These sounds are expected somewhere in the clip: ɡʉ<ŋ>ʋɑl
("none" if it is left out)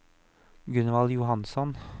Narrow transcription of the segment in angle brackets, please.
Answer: n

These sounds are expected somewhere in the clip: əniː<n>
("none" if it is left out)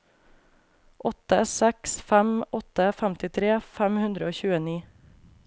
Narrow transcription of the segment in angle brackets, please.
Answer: none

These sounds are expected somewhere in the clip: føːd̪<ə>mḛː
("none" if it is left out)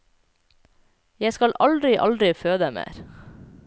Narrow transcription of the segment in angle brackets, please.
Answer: ə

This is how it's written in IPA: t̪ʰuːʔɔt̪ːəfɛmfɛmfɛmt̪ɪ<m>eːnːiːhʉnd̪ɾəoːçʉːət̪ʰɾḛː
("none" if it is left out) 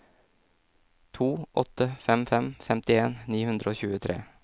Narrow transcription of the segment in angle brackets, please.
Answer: none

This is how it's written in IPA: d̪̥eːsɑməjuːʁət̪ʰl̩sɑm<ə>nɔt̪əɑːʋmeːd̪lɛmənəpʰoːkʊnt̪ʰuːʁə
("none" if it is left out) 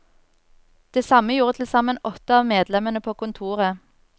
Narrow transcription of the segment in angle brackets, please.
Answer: ə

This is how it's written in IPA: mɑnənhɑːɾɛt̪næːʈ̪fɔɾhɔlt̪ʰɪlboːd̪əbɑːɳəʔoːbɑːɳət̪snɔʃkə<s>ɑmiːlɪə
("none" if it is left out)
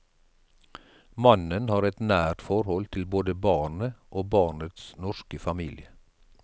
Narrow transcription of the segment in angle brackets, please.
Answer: f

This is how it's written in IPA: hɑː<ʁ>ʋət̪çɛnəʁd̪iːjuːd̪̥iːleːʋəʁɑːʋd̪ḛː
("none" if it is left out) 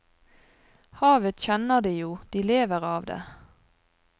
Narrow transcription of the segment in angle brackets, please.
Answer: none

